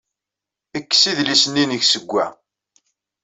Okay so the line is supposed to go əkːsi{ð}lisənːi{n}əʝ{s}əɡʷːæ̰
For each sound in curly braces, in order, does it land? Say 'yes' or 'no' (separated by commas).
yes, yes, yes